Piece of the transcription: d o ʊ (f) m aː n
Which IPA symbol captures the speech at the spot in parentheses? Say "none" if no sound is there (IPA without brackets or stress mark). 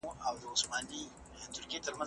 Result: s